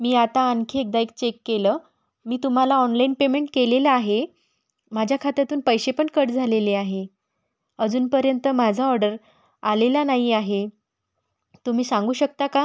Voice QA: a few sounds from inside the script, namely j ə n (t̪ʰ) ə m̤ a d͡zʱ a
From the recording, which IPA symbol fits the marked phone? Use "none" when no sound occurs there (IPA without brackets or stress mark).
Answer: t̪